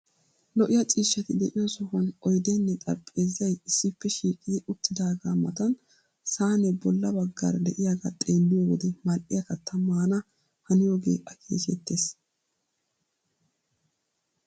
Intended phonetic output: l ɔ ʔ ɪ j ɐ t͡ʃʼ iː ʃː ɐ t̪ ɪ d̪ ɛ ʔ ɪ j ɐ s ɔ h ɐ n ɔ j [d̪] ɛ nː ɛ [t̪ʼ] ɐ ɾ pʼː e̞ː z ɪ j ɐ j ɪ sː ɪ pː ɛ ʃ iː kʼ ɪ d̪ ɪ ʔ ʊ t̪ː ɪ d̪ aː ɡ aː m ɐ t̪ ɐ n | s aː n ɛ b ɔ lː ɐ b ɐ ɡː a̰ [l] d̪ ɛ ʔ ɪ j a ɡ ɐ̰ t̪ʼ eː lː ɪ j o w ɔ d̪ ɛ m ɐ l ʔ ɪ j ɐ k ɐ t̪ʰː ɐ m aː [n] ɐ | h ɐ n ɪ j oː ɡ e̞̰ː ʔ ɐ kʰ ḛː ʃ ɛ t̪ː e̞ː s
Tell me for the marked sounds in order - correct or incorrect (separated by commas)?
correct, correct, incorrect, correct